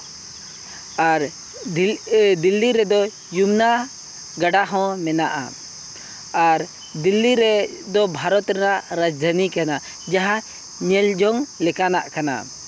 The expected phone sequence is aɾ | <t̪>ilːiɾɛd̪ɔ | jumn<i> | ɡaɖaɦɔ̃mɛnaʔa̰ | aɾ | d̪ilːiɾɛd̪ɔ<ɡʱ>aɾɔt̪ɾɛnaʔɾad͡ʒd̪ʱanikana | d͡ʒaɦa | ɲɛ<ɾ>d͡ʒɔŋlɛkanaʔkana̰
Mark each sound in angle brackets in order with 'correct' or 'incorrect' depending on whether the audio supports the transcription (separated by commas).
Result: incorrect, incorrect, incorrect, incorrect